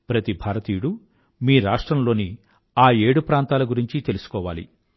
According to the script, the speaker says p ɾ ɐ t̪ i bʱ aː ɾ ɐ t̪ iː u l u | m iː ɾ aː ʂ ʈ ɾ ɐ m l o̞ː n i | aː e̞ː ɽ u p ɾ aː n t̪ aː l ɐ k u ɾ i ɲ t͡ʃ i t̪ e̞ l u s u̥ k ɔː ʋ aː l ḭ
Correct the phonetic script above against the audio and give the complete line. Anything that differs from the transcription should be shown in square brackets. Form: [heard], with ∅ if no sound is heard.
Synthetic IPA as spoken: p ɾ ɐ t̪ i bʱ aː ɾ ɐ t̪ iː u [ɽ] u | m iː ɾ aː ʂ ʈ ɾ ɐ m l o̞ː n i | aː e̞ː ɽ u p ɾ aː n t̪ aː l ɐ [ɡ] u ɾ i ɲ t͡ʃ i t̪ e̞ l u s u̥ k ɔː ʋ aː l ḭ